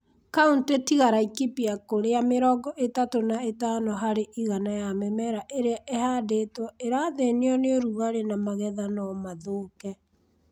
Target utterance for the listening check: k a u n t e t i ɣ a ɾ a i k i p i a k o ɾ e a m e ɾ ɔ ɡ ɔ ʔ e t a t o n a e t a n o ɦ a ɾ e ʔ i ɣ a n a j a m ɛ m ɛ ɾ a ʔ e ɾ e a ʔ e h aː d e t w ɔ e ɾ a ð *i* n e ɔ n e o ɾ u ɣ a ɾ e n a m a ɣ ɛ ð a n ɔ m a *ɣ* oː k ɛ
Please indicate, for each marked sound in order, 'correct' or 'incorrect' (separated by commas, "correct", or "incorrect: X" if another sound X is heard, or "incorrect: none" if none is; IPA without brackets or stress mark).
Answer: incorrect: e, incorrect: ð